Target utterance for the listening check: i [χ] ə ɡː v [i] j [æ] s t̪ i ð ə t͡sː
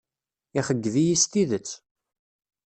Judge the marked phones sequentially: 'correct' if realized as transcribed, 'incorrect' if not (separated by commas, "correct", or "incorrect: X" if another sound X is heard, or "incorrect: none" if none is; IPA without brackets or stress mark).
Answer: correct, correct, incorrect: i